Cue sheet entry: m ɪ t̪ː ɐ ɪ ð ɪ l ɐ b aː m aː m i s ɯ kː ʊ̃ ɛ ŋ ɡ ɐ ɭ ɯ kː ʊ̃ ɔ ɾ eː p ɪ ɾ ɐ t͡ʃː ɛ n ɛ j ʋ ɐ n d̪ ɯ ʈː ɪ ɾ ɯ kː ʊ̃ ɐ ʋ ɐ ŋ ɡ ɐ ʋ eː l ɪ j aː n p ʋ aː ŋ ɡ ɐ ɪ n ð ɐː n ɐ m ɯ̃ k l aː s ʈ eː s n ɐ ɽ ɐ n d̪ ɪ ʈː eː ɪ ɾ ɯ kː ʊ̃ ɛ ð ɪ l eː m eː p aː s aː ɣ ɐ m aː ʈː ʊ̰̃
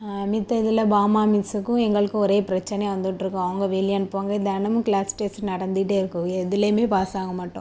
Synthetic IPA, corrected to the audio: m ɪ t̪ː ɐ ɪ ð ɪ l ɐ b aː m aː m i s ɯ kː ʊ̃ ɛ ŋ ɡ ɐ ɭ ɯ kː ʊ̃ ɔ ɾ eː p ɪ ɾ ɐ t͡ʃː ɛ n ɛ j ʋ ɐ n d̪ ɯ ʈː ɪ ɾ ɯ kː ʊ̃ ɐ ʋ ɐ ŋ ɡ ɐ ʋ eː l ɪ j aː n p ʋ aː ŋ ɡ ɐ ɪ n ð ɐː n ɐ m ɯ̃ k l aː s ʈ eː s n ɐ ɽ ɐ n d̪ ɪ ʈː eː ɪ ɾ ɯ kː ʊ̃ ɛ ð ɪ l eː m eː p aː s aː ɣ ɐ m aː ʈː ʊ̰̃